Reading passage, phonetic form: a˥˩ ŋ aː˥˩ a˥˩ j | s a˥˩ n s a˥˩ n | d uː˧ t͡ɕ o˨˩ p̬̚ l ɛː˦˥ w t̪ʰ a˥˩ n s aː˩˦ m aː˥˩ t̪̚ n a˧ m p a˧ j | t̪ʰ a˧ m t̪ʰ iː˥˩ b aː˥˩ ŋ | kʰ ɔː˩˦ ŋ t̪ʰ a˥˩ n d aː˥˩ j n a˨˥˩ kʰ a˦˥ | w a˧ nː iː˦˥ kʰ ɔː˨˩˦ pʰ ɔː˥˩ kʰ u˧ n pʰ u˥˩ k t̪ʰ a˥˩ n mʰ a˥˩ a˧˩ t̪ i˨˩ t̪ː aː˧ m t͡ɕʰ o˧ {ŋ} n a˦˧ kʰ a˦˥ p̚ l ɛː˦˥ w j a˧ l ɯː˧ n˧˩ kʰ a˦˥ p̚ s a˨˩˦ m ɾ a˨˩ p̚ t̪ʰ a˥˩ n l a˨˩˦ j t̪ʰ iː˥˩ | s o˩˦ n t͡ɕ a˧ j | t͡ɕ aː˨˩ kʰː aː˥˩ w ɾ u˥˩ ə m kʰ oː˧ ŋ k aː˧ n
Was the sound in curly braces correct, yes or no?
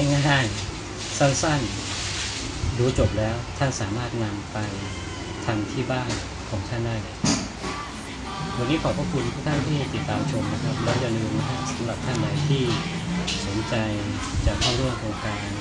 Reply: no